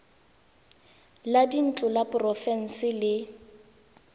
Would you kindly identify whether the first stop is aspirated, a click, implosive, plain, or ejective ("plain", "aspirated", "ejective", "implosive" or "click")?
plain